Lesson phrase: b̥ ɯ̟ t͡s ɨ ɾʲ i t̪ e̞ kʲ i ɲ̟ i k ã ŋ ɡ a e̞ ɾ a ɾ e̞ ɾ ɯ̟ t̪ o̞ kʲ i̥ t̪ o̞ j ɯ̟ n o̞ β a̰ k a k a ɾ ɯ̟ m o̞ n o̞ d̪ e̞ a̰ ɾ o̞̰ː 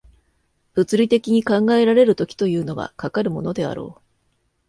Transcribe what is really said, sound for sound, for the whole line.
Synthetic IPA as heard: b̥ ɯ̟ t͡s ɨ ɾʲ i t̪ e̞ kʲ i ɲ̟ i k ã ŋ ɡ a e̞ ɾ a ɾ e̞ ɾ ɯ̟ t̪ o̞ kʲ i̥ t̪ o̞ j ɯ̟ː n o̞ β a̰ k a k a ɾ ɯ̟ m o̞ n o̞ d̪ e̞ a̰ ɾ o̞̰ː